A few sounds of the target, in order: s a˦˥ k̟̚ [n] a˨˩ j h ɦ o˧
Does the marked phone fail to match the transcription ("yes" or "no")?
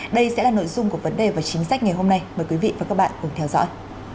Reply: yes